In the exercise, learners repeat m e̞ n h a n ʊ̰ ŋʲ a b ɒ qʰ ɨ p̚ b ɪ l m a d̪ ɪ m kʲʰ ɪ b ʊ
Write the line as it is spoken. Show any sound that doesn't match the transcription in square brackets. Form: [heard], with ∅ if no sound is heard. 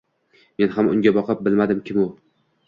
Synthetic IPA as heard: m e̞ n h a [m] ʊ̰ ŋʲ a b ɒ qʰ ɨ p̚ b ɪ l m a d̪ ɪ m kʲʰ ɪ [m] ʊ

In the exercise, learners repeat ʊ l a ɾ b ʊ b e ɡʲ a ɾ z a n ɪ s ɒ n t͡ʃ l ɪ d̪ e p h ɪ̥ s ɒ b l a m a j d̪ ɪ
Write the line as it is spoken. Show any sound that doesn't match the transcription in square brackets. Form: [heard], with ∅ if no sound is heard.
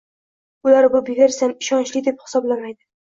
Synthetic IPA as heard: ʊ l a ɾ b ʊ b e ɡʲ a ɾ [s] a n ɪ [ʃ] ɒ n t͡ʃ l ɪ d̪ e p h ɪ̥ s ɒ b l a m a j d̪ ɪ

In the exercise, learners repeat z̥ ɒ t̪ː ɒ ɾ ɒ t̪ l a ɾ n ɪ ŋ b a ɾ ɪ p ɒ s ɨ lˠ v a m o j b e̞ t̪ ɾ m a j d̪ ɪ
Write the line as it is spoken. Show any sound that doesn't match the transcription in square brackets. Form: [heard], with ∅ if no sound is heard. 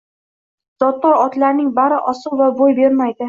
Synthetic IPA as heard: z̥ ɒ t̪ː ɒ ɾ ɒ t̪ l a ɾ n ɪ ŋ b a ɾ ɪ [ʔ] ɒ s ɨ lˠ v a [b] o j b e̞ [∅] ɾ m a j d̪ ɪ

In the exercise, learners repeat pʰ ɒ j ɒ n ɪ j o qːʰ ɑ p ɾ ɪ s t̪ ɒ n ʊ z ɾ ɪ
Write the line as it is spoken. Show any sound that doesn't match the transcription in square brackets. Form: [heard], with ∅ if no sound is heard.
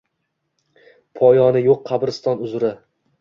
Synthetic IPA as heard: pʰ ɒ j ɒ n ɪ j o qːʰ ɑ [b] ɾ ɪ s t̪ ɒ n ʊ z ɾ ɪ

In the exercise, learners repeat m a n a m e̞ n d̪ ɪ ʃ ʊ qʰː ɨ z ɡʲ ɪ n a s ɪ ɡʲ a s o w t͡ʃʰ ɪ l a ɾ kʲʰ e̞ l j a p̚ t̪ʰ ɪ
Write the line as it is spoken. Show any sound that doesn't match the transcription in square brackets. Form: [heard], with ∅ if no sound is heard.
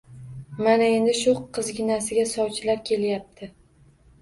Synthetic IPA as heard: m a n a [∅] e̞ n d̪ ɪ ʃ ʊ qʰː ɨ z ɡʲ ɪ n a s ɪ ɡʲ a s [ɒ] w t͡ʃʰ ɪ l a ɾ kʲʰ e̞ l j a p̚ t̪ʰ ɪ

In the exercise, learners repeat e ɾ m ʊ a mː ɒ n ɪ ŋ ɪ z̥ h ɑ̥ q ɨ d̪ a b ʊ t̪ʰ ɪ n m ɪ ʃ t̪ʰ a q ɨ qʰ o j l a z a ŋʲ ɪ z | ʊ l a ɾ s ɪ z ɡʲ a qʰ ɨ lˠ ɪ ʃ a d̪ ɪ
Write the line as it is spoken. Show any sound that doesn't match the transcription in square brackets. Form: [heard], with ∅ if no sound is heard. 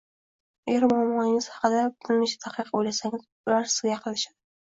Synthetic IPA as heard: e ɾ m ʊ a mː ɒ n ɪ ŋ ɪ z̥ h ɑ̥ q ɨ d̪ a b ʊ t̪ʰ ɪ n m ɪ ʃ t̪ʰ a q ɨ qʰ o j l a [s] a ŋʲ ɪ z | ʊ l a ɾ s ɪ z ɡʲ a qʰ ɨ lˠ ɪ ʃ a d̪ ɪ

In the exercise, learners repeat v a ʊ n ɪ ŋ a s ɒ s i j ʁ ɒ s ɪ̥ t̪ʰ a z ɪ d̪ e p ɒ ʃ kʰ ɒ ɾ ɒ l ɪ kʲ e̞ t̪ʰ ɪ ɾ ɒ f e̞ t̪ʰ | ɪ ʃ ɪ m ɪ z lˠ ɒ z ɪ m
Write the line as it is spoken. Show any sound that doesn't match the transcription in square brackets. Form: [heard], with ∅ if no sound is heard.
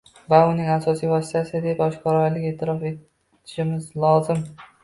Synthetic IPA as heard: v a ʊ n ɪ ŋ a s ɒ s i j [v] ɒ s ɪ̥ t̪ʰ a [s] ɪ d̪ e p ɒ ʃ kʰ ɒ ɾ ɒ l ɪ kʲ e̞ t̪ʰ ɪ ɾ ɒ f e̞ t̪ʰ | ɪ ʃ ɪ m ɪ z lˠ ɒ z ɪ m

